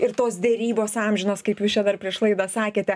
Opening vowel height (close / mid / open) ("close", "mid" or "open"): close